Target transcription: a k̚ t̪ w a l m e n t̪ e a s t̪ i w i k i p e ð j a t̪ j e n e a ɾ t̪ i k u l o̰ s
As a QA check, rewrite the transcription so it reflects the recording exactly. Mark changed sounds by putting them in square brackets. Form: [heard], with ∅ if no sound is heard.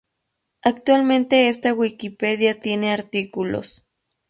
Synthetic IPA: a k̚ t̪ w a l m e n t̪ e [e] s t̪ [a] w i k i p e ð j a t̪ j e n e a ɾ t̪ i k u l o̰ s